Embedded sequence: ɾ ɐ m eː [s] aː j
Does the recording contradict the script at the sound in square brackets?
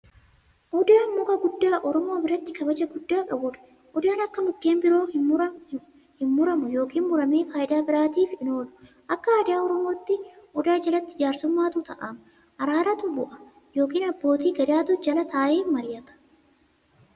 yes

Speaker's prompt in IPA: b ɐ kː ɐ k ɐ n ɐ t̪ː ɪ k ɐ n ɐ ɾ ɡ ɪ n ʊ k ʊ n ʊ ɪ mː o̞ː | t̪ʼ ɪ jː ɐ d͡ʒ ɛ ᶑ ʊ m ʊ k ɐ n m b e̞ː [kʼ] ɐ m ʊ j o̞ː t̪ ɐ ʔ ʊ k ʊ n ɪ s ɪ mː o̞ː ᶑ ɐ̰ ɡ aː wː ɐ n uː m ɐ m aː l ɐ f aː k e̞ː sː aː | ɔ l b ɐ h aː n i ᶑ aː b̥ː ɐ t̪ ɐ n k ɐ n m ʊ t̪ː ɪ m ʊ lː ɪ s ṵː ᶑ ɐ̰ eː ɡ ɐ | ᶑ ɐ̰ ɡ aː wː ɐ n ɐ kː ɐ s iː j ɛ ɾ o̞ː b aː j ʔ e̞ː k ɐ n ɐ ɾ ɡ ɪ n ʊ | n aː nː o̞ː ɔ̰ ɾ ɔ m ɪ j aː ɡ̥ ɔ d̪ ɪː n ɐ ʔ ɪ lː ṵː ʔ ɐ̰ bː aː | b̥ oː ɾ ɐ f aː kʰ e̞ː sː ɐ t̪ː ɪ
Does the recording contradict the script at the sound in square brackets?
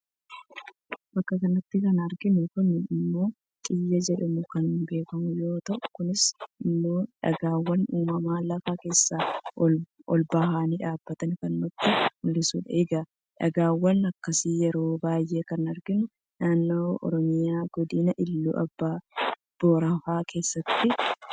yes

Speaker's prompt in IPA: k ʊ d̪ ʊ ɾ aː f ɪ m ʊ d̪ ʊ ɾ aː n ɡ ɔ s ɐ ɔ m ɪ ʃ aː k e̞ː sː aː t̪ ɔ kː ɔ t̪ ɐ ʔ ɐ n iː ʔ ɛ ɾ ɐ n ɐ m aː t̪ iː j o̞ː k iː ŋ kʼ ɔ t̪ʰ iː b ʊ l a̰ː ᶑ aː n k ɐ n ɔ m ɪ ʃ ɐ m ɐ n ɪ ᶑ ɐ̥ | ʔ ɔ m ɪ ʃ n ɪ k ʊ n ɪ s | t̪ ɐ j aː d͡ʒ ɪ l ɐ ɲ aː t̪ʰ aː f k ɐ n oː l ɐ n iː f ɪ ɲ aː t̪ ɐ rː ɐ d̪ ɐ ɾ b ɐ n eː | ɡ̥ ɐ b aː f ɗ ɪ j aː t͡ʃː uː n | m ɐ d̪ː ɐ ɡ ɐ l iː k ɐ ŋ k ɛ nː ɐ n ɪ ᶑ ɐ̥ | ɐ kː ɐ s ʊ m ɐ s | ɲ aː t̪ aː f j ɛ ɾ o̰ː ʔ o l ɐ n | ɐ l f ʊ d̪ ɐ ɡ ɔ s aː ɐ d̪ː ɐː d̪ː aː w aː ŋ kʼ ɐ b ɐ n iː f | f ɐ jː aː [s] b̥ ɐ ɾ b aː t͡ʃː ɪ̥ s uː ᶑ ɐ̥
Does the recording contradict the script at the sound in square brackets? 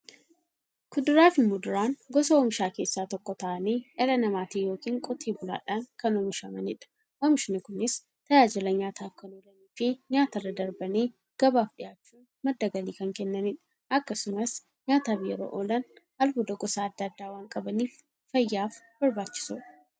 yes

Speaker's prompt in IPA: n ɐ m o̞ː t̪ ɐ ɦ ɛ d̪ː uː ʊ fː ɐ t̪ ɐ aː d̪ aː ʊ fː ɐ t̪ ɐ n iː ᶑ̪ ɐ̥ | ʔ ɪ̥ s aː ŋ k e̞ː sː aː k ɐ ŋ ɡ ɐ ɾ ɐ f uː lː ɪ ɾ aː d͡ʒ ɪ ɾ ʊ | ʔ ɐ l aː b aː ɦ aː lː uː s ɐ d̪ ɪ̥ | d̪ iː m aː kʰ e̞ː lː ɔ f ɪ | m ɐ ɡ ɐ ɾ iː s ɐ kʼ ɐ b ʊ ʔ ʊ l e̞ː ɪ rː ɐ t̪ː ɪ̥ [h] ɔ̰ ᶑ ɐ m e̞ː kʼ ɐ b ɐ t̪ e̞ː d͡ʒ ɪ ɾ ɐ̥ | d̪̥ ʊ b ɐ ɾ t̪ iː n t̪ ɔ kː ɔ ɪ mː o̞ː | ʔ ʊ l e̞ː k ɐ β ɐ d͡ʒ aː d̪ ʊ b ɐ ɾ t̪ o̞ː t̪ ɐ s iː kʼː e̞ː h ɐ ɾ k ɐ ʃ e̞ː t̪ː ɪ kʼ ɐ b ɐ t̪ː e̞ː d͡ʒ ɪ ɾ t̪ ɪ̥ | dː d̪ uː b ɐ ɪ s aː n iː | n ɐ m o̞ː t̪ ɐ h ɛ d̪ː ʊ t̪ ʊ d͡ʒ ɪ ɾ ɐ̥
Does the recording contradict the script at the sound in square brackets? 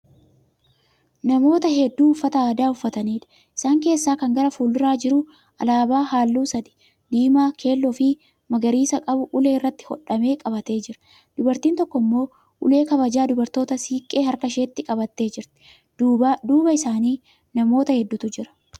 no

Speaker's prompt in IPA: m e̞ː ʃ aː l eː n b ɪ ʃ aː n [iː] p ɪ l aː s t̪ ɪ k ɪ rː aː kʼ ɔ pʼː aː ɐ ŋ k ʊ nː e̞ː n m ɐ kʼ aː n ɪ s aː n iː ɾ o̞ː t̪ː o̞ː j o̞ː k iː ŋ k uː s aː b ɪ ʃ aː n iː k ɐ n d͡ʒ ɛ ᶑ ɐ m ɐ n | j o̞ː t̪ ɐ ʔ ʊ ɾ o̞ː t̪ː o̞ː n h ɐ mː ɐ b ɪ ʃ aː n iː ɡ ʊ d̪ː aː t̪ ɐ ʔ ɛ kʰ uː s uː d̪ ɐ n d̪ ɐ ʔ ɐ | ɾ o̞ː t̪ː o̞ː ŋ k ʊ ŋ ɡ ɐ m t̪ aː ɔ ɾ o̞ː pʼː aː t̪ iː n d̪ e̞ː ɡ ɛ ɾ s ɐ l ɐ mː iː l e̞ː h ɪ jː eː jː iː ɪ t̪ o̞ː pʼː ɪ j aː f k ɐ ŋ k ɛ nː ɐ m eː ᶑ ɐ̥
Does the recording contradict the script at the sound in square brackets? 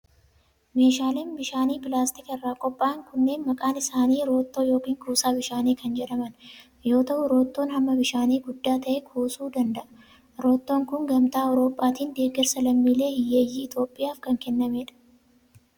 no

